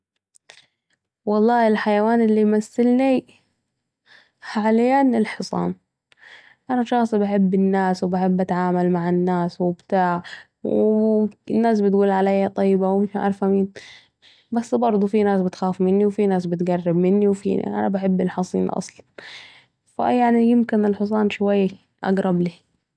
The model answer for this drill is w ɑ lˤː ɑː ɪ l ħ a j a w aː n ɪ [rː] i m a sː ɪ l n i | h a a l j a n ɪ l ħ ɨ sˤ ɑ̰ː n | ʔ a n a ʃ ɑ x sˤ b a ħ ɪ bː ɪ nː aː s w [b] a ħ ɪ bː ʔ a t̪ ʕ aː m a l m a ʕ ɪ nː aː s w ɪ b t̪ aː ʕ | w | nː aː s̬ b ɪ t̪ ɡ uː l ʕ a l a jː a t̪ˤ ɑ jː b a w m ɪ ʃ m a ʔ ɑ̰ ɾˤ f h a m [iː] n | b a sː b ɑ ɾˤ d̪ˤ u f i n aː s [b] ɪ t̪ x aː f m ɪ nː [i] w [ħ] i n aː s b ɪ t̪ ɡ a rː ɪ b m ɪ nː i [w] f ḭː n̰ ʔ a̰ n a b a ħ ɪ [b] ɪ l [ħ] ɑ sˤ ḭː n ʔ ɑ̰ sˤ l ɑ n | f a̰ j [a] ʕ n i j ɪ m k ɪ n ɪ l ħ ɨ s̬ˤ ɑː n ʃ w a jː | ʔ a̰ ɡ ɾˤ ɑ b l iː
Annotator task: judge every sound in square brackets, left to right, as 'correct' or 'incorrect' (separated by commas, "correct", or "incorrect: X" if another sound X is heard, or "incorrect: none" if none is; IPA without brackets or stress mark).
incorrect: lː, correct, correct, correct, correct, incorrect: f, correct, incorrect: bː, correct, correct